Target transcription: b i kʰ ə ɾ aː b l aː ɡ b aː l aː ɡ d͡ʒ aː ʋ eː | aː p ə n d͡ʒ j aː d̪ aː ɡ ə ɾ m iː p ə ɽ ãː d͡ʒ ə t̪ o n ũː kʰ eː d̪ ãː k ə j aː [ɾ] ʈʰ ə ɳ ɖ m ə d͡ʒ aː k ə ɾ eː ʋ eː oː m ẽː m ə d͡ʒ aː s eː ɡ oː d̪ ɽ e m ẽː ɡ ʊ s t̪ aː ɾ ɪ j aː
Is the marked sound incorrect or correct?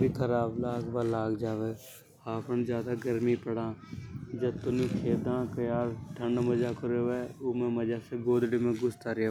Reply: correct